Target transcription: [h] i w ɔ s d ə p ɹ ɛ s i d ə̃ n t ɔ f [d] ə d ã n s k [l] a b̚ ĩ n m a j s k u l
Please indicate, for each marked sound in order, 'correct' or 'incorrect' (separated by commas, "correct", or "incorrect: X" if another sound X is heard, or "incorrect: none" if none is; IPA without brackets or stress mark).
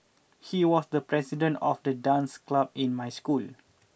correct, correct, correct